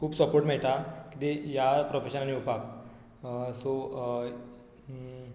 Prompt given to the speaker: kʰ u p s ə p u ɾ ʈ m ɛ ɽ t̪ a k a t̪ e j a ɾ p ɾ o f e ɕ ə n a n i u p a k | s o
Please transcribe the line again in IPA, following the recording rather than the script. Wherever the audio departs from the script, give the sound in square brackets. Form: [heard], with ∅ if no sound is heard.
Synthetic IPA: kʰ [uː] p s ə p [o] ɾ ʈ m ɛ [ɭ] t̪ a k [i] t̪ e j a [∅] p ɾ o f e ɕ ə n a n i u p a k | s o